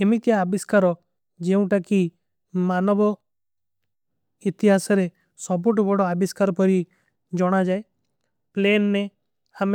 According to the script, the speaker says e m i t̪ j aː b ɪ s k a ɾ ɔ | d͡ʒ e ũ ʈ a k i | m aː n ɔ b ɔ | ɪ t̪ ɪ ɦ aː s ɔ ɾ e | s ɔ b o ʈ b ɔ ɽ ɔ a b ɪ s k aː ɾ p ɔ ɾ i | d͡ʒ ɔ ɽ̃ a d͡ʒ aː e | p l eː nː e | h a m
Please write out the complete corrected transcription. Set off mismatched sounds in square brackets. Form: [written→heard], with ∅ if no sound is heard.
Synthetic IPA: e m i t̪ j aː b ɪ s k a ɾ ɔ | d͡ʒ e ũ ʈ a k i | m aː n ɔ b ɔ | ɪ t̪ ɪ ɦ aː s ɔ ɾ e | s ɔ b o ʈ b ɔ ɽ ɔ a b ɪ s k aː ɾ p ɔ ɾ i | d͡ʒ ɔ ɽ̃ a d͡ʒ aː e | p l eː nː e | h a m